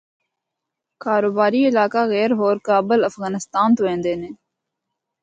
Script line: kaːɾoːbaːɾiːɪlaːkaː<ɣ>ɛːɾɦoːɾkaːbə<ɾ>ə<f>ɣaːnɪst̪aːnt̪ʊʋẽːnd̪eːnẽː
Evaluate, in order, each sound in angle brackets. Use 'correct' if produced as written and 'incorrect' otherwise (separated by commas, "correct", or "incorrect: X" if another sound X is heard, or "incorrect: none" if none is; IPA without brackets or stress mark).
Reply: correct, incorrect: l, correct